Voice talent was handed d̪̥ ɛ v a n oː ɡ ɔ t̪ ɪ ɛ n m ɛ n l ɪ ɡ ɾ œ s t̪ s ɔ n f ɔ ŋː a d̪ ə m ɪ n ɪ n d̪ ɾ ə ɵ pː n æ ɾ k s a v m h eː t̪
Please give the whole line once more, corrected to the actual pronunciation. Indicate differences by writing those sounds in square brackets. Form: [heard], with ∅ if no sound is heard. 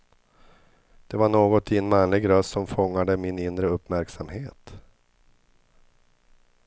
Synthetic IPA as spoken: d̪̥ ɛ v a [ɳ] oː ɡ ɔ t̪ ɪ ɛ n m [a] n l ɪ ɡ ɾ œ s t̪ s ɔ [m] f ɔ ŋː a d̪ ə m ɪ n ɪ n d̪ ɾ ə ɵ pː [m] æ ɾ k s a [∅] m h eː t̪

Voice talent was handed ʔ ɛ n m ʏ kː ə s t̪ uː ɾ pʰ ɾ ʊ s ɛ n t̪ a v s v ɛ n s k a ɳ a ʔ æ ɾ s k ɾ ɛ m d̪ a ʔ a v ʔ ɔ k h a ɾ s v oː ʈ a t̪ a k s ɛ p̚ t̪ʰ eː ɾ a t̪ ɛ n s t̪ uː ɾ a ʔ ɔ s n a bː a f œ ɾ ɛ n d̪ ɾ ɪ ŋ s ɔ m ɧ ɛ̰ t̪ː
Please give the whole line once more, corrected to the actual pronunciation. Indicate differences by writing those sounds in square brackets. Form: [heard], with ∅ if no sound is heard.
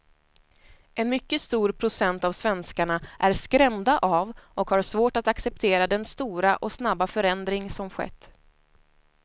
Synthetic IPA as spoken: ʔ ɛ n m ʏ kː ə s t̪ uː ɾ pʰ ɾ ʊ s ɛ n t̪ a v s v ɛ n s k a ɳ a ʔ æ ɾ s k ɾ ɛ m d̪ a ʔ a v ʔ ɔ k h a ɾ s v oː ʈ a t̪ a k s ɛ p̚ t̪ʰ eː ɾ a [d̪] ɛ n s t̪ uː ɾ a ʔ ɔ s n a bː a f œ ɾ ɛ n d̪ ɾ ɪ ŋ s ɔ m ɧ ɛ̰ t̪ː

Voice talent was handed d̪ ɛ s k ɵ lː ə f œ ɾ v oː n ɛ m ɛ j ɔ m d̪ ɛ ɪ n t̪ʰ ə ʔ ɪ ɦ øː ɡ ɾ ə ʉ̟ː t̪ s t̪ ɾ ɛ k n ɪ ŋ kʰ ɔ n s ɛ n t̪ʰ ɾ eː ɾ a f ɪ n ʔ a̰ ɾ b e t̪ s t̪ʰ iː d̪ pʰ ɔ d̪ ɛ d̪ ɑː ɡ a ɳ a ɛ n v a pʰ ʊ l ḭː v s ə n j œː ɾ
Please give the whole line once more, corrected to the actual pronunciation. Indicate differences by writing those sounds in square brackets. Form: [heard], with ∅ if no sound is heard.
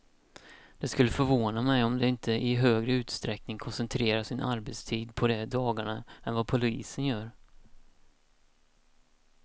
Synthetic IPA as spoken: d̪ ɛ s k ɵ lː ə f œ ɾ v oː n [a] m ɛ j ɔ m d̪ ɛ ɪ n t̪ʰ ə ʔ ɪ ɦ øː ɡ ɾ ə ʉ̟ː t̪ s t̪ ɾ ɛ k n ɪ ŋ kʰ ɔ n s ɛ n t̪ʰ ɾ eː ɾ a [ʂ] ɪ n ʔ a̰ ɾ b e t̪ s t̪ʰ iː d̪ pʰ ɔ d̪ ɛ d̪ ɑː ɡ a ɳ a ɛ n v a pʰ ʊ l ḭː [∅] s ə n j œː ɾ

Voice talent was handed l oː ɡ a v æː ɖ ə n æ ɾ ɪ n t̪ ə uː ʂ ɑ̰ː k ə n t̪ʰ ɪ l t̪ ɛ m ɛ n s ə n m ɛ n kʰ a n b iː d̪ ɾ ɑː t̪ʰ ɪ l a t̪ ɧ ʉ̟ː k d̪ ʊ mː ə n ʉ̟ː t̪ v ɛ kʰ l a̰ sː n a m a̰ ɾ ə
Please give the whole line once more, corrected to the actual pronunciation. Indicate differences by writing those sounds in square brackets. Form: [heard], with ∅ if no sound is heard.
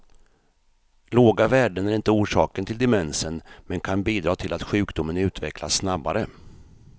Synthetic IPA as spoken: l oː ɡ a v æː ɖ ə n æ ɾ ɪ n t̪ ə uː ʂ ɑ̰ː k ə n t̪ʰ ɪ l [d̪] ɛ m ɛ n s ə n m ɛ n kʰ a n b iː d̪ ɾ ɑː t̪ʰ ɪ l a t̪ ɧ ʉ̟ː k d̪ ʊ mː ə n ʉ̟ː t̪ v ɛ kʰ l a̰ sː n a [b] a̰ ɾ ə

